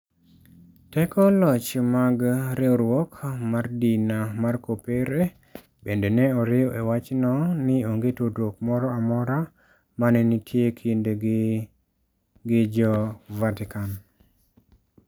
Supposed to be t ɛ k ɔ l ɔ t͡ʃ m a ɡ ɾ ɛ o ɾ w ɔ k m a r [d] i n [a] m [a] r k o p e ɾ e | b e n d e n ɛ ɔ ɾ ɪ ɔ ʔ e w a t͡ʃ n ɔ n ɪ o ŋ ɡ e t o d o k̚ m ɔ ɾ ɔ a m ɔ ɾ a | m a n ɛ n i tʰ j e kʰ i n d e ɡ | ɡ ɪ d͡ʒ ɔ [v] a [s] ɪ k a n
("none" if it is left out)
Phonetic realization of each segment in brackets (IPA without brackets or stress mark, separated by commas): d, a, a, v, t